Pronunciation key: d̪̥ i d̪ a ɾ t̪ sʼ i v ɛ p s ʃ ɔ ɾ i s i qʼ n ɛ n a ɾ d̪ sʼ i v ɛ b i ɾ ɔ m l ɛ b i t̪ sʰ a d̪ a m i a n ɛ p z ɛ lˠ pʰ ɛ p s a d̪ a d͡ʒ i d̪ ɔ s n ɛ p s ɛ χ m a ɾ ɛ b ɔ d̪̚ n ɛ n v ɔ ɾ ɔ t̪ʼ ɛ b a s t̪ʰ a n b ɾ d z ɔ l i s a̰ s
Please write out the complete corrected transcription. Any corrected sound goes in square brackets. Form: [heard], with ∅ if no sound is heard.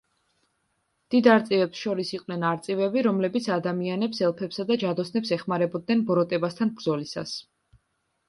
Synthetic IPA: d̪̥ i d̪ a ɾ t̪ sʼ i v ɛ p s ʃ ɔ ɾ i s i qʼ n ɛ n a ɾ [t̪] sʼ i v ɛ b i ɾ ɔ m l ɛ b i t̪ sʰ a d̪ a m i a n ɛ p [s] ɛ lˠ pʰ ɛ p s a d̪ a d͡ʒ [a] d̪ ɔ s n ɛ p s ɛ χ m a ɾ ɛ b ɔ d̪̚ n ɛ n [b] ɔ ɾ ɔ t̪ʼ ɛ b a s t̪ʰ a n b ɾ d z ɔ l i s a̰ s